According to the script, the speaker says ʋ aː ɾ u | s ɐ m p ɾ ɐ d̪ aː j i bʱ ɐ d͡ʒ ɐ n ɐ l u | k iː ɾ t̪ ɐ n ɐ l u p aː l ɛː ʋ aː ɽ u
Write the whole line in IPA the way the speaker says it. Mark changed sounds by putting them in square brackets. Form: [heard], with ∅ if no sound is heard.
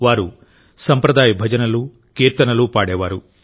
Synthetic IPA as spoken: ʋ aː ɾ u | s ɐ m p ɾ ɐ d̪ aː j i bʱ ɐ d͡ʒ ɐ n ɐ l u | k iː ɾ t̪ ɐ n ɐ l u p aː [ɽ] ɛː ʋ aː [ɾ] u